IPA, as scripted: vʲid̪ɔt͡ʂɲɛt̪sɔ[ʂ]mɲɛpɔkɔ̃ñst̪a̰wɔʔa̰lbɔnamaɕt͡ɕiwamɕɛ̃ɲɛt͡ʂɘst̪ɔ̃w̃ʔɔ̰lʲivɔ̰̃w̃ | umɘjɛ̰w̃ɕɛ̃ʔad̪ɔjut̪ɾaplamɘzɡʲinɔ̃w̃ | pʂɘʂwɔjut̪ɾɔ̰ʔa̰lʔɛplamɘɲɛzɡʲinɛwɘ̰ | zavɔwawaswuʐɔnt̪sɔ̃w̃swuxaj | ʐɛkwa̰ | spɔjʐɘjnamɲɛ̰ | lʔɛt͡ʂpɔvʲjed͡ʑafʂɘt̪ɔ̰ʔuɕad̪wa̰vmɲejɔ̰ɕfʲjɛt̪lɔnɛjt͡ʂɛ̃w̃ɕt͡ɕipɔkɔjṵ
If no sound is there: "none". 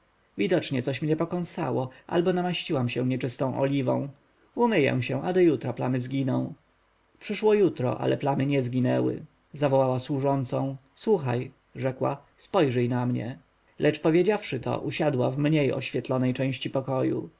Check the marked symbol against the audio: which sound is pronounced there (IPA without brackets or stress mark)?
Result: ɕ